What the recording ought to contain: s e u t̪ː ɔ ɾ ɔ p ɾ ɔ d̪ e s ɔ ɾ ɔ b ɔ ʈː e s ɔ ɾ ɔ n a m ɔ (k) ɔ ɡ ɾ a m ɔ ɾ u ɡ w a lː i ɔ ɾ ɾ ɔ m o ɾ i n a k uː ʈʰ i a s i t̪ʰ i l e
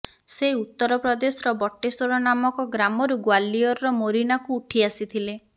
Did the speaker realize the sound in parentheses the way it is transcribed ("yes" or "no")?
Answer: yes